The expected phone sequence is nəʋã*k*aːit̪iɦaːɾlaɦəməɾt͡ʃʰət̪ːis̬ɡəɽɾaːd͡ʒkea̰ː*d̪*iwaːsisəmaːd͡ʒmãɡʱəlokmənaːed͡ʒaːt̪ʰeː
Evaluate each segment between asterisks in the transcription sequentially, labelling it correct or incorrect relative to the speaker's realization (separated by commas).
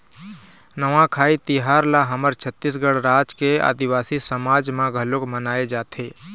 incorrect, correct